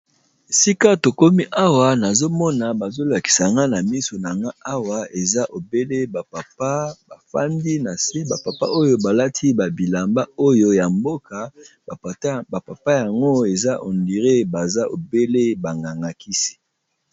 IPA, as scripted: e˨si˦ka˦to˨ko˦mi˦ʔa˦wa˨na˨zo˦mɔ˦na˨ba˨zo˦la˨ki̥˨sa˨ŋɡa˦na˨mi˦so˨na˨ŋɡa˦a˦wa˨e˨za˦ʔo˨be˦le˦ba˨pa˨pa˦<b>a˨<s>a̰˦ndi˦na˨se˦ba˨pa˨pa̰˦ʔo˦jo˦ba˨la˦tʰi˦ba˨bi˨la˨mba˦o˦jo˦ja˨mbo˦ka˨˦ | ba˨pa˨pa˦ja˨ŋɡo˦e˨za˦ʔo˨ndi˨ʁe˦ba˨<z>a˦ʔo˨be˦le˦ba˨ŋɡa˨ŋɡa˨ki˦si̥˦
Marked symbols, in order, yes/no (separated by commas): yes, no, yes